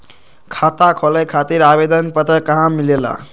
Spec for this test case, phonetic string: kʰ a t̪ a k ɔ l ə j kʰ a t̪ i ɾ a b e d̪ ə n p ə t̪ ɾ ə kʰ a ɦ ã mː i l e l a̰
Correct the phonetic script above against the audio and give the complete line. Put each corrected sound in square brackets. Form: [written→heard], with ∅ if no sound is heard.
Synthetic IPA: kʰ a t̪ a [k→kʰ] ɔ l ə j kʰ a t̪ i ɾ a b e d̪ ə n p ə t̪ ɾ ə [kʰ→k] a ɦ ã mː i l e l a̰